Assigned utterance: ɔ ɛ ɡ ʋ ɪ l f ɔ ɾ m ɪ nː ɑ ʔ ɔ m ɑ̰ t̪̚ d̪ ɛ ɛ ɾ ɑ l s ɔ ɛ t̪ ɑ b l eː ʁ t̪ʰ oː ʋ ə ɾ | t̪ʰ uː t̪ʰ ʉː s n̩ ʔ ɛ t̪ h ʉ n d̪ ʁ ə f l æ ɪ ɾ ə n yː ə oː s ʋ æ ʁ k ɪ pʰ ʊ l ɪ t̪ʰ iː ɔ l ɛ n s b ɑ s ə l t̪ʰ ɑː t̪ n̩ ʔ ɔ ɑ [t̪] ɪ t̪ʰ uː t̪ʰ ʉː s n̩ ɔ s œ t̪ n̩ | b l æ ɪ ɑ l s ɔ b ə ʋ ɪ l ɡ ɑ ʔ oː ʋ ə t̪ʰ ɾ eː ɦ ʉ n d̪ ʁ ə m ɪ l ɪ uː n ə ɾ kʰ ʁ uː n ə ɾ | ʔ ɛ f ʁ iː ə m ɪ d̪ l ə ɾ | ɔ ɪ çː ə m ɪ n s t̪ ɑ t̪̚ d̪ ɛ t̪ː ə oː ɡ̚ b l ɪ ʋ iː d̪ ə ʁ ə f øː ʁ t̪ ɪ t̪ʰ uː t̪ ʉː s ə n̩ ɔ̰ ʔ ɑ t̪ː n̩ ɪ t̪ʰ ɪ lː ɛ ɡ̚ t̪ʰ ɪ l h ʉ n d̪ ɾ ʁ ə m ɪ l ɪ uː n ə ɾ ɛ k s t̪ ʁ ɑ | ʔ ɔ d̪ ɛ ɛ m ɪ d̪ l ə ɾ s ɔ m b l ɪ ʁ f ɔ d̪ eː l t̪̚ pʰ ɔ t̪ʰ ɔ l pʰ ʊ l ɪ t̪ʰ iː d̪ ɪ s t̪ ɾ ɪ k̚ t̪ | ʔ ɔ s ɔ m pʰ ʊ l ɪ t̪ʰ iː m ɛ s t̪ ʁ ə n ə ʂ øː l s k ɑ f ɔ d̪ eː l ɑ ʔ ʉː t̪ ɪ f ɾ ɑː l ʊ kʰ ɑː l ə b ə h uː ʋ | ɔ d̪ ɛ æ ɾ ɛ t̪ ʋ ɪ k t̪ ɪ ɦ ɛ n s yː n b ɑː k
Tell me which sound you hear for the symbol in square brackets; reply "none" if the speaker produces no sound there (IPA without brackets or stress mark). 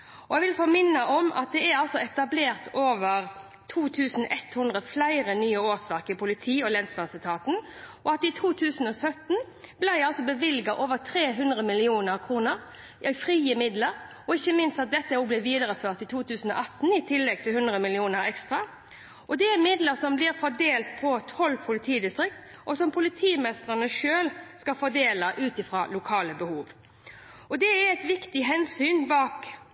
t̪